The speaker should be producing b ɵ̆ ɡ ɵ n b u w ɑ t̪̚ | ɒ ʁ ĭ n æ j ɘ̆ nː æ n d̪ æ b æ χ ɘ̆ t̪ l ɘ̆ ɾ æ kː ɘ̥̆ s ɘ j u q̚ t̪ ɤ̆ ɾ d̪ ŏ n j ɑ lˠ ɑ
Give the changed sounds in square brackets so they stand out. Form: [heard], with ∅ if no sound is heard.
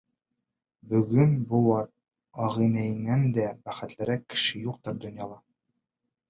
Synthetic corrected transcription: b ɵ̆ ɡ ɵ n b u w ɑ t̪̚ | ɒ ʁ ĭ n æ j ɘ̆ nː æ n d̪ æ b æ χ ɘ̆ t̪ l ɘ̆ ɾ æ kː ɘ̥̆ [ʃ] ɘ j u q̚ t̪ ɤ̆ ɾ d̪ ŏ n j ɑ lˠ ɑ